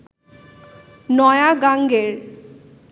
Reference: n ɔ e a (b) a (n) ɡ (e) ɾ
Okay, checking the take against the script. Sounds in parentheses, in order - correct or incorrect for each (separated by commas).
incorrect, incorrect, correct